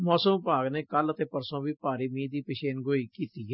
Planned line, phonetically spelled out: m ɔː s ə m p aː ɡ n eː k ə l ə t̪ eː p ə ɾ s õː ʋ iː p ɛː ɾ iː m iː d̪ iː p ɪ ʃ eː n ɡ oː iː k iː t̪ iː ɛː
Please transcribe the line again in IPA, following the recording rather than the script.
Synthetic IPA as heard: m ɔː s ə m p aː ɡ n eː k ə l ə t̪ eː p ə ɾ s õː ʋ iː p aː ɾ iː m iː d̪ iː p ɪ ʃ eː n ɡ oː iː k iː t̪ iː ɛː